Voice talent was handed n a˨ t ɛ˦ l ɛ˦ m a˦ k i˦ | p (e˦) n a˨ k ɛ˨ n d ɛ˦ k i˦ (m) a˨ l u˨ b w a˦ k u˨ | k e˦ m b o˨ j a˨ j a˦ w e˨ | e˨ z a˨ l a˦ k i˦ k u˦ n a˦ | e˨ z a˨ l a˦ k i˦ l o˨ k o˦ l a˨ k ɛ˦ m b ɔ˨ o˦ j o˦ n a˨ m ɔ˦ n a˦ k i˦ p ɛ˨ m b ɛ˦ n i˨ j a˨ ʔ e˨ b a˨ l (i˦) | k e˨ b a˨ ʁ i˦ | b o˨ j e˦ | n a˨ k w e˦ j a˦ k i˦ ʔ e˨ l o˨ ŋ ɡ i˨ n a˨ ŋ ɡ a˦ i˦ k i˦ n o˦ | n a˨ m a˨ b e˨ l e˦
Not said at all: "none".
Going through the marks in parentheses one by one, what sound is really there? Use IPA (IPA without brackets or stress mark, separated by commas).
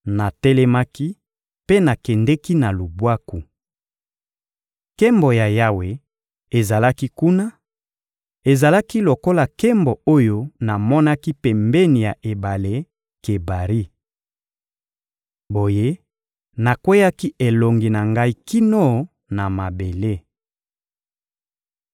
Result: e˦, n, e˦